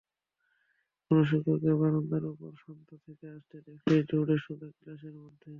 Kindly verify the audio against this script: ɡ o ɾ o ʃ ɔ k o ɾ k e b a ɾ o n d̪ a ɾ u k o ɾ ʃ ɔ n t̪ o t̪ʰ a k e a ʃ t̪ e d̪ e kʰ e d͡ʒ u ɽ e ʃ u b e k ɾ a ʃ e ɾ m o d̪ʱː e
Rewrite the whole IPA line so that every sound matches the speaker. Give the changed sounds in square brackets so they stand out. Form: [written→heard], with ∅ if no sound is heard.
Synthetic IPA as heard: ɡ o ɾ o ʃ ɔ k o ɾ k e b a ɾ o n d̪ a ɾ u [k→p] o ɾ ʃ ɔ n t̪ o t̪ʰ [a→e] k e a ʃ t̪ e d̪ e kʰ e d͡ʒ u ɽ e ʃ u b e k [ɾ→l] a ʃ e ɾ m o d̪ʱː e